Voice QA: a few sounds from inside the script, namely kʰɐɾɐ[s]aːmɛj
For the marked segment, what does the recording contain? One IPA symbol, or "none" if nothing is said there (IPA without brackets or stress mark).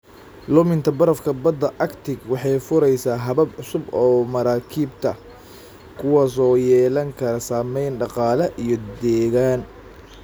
s